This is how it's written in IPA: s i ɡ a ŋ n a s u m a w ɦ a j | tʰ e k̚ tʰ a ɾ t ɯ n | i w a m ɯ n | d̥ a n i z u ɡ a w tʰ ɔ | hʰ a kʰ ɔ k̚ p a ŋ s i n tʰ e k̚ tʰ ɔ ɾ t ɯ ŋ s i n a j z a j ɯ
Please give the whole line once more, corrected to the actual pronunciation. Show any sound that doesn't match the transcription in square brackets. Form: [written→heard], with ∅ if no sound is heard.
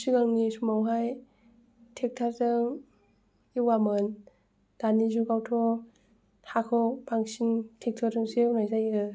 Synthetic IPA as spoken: s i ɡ a ŋ n [a→i] s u m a w ɦ a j | tʰ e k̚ tʰ a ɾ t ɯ [n→ŋ] | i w a m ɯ n | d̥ a n i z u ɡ a w tʰ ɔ | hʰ a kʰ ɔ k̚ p a ŋ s i n tʰ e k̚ tʰ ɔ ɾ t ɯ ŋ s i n a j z a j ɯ

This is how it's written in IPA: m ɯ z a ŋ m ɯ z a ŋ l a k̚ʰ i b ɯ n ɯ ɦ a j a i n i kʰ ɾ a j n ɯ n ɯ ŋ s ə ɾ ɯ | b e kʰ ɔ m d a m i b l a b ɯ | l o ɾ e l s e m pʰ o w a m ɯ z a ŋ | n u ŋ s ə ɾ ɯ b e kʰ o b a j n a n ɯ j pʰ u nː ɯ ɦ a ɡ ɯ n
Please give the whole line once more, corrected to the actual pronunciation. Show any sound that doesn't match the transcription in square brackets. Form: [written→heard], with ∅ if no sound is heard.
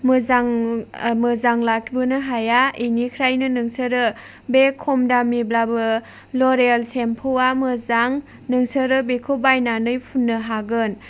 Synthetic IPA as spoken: m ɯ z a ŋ m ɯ z a ŋ l a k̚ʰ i b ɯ n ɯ ɦ a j a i n i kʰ ɾ a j n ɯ n ɯ ŋ s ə ɾ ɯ | b e kʰ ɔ m d a m i b l a b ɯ | l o ɾ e l s e m pʰ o w a m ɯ z a ŋ | n [u→ɯ] ŋ s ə ɾ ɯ b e kʰ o b a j n a n ɯ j pʰ u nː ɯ ɦ a ɡ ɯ n

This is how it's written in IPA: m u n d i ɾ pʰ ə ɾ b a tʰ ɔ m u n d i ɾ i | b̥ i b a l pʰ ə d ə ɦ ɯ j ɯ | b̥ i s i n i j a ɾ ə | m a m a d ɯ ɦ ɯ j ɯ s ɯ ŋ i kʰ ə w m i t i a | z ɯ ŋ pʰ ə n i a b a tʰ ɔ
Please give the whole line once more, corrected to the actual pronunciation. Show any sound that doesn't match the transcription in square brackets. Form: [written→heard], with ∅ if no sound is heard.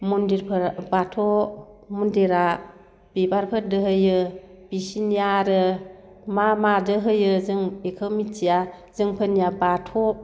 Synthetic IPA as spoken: m u n d i ɾ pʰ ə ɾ b a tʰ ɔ m u n d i ɾ [i→a] | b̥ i b a [l→ɾ] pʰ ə d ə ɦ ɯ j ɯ | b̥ i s i n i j a ɾ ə | m a m a d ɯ ɦ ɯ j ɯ [s→z] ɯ ŋ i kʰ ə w m i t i a | z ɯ ŋ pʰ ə n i a b a tʰ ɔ

